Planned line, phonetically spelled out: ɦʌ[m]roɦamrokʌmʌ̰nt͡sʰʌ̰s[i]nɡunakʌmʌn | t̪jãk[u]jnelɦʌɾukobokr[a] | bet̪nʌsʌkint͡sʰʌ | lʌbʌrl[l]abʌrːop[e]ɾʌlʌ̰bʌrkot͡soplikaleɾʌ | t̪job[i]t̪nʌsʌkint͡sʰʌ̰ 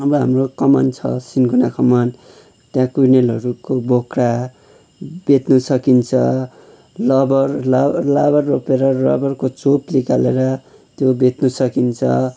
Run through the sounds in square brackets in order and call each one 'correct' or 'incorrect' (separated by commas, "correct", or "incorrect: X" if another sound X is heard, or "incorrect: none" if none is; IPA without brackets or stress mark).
correct, correct, correct, correct, correct, correct, incorrect: e